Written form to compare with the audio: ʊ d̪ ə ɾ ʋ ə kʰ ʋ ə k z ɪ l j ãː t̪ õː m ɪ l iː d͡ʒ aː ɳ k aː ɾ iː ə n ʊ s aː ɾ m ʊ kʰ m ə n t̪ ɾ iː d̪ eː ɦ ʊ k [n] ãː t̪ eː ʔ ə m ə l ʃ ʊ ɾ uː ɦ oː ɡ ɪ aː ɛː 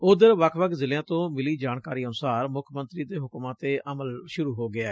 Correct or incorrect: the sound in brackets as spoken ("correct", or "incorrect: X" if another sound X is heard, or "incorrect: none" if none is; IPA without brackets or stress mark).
incorrect: m